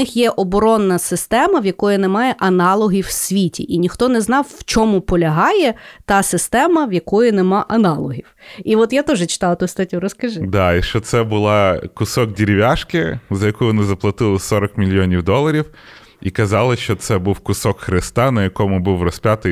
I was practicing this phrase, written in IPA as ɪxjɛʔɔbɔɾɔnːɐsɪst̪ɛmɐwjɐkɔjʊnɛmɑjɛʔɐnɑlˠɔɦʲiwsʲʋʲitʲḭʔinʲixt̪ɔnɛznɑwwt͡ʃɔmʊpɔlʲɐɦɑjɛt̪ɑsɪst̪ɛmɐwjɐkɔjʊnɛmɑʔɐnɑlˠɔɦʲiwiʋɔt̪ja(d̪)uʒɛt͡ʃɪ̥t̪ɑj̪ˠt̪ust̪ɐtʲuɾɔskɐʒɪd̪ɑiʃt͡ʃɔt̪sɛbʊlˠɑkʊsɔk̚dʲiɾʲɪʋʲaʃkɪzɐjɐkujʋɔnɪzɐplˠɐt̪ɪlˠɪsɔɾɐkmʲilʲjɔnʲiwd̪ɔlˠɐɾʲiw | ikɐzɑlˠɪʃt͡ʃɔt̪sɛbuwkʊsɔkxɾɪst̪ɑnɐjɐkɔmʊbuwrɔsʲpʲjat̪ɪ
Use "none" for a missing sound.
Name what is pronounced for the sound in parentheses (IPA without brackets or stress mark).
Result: t̪